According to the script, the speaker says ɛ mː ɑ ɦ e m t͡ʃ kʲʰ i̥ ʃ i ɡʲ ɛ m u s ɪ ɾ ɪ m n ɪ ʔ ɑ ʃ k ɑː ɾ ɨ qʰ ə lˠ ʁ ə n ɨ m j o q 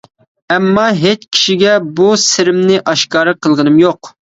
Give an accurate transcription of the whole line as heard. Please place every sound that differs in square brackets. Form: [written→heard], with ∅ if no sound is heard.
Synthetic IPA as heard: ɛ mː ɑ ɦ e [m→∅] t͡ʃ kʲʰ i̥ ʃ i ɡʲ ɛ [m→b] u s ɪ ɾ ɪ m n ɪ ʔ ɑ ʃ k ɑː ɾ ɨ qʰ ə lˠ ʁ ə n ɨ m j o q

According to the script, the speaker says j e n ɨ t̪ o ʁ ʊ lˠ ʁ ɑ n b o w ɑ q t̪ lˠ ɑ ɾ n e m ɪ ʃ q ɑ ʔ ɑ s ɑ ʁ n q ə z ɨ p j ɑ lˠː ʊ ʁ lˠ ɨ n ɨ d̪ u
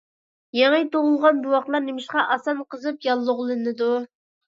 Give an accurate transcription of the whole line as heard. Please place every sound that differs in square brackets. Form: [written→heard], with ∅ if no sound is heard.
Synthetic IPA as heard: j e [n→ŋ] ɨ t̪ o ʁ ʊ lˠ ʁ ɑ n b [o→u] w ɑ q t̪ lˠ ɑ ɾ n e m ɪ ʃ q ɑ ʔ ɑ s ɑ [ʁ→∅] n q ə z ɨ p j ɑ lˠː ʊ ʁ lˠ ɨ n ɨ d̪ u

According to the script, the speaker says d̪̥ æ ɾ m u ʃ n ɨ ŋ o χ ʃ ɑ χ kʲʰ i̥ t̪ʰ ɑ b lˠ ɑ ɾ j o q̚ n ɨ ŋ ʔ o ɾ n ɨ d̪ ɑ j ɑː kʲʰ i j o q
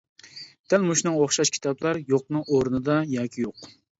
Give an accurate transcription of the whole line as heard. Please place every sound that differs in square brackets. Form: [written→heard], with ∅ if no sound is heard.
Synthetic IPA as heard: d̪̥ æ [ɾ→l] m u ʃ n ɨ ŋ o χ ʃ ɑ [χ→ʃ] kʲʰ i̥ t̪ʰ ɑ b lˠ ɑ ɾ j o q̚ n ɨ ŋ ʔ o ɾ n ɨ d̪ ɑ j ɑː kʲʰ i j o q

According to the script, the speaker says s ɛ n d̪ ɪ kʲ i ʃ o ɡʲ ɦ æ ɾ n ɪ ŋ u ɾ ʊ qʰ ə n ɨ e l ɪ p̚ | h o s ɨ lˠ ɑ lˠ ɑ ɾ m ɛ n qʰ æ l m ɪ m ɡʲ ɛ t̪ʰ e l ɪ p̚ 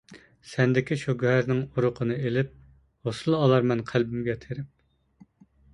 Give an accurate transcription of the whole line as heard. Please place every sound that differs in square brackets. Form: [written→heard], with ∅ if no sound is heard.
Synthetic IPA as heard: s ɛ n d̪ ɪ kʲ i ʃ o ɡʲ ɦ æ ɾ n ɪ ŋ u ɾ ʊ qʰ ə n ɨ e l ɪ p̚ | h o s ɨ lˠ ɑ lˠ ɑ ɾ m ɛ n qʰ æ l [m→b] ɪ m ɡʲ ɛ t̪ʰ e [l→ɾ] ɪ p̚

